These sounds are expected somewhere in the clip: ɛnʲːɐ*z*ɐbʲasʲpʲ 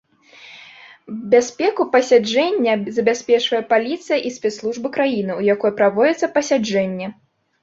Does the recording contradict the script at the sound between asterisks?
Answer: no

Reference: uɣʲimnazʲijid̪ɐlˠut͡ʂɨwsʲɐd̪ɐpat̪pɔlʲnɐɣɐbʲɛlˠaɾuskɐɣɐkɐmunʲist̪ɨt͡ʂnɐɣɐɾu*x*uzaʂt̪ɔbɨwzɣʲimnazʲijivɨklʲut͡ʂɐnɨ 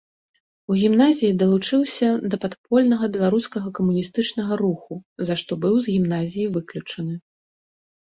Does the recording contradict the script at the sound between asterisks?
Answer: no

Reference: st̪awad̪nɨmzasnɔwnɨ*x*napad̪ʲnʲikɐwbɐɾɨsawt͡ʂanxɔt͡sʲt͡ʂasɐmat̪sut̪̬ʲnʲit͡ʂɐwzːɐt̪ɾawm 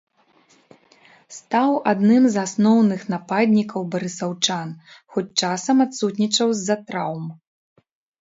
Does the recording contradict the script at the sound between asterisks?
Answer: no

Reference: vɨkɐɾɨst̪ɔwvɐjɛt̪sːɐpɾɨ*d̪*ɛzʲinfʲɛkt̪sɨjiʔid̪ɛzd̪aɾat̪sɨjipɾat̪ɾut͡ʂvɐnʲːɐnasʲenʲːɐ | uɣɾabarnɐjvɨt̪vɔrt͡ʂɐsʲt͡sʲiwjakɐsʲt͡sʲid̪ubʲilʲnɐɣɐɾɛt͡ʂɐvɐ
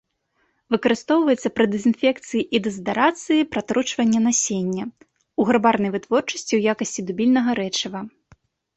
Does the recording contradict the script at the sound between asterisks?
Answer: no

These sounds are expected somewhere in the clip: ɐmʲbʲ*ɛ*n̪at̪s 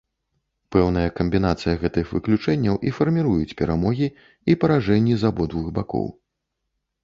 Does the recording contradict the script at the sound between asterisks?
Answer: yes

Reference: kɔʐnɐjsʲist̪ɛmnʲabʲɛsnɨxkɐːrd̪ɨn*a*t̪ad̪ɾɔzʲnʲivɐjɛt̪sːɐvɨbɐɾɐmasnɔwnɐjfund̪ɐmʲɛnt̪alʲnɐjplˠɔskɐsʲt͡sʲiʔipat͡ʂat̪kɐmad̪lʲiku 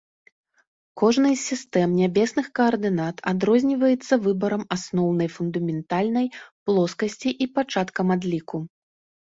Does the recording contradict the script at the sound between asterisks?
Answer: no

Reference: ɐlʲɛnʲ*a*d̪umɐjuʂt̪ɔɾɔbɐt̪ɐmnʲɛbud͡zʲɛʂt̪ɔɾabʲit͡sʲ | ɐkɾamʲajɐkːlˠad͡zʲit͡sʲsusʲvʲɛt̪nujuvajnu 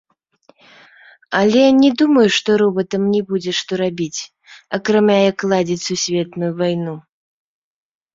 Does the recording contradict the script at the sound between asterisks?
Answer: yes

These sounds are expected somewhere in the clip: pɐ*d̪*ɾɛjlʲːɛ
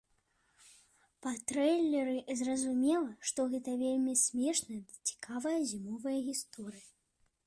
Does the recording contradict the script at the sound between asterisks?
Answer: yes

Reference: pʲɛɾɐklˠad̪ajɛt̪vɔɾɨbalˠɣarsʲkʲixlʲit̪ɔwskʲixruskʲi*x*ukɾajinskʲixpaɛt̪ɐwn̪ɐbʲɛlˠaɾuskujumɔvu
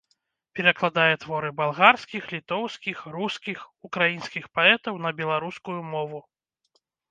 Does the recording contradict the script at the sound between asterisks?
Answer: no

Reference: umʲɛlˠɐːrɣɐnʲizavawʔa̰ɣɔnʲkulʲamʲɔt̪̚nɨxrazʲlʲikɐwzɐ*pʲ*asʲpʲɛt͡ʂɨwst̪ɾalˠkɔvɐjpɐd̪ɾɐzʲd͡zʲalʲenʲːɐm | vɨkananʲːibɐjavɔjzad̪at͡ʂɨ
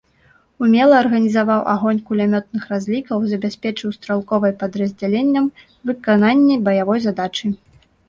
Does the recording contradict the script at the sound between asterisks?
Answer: yes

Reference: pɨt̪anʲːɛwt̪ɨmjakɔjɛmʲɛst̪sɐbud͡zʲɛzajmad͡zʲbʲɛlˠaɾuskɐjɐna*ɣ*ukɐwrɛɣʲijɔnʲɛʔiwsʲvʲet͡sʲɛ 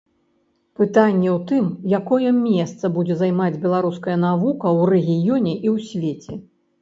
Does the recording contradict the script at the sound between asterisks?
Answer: yes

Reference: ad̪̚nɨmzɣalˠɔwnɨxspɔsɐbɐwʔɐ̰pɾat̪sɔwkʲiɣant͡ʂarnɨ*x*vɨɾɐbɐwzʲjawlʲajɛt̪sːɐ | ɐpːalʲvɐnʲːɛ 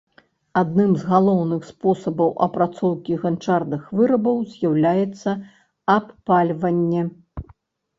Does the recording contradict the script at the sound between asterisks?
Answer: no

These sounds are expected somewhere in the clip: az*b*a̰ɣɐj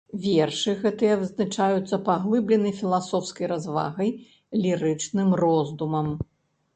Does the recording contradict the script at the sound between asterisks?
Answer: yes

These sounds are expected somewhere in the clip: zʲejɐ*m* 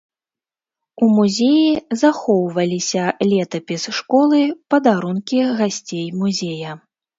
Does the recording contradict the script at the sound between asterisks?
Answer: yes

